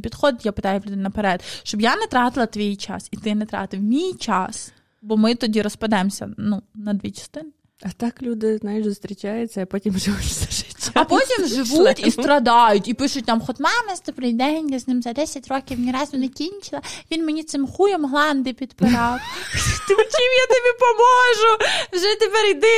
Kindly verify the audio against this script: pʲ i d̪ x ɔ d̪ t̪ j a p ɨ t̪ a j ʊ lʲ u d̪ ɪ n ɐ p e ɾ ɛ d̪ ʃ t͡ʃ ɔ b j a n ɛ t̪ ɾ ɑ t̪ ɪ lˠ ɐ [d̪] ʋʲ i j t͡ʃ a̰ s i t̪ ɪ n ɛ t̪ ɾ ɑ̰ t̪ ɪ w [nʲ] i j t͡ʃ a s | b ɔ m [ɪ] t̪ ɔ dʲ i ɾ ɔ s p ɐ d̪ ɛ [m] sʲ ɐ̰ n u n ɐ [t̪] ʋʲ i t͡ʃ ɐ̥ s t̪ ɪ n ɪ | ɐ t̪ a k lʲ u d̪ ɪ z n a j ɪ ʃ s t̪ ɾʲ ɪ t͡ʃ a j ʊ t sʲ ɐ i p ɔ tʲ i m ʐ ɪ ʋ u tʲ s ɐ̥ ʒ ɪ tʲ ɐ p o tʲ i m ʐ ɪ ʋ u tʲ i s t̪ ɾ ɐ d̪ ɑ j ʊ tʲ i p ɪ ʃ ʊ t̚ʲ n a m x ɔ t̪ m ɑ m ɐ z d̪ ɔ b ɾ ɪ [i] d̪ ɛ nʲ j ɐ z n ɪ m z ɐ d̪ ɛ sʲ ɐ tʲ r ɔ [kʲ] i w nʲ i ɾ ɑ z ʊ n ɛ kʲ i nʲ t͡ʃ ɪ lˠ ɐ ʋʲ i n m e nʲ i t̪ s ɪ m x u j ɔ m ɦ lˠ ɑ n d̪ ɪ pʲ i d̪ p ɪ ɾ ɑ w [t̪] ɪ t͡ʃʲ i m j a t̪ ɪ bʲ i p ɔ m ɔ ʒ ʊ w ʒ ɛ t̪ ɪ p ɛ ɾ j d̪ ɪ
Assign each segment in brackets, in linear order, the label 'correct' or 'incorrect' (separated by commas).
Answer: incorrect, incorrect, correct, correct, incorrect, incorrect, correct, correct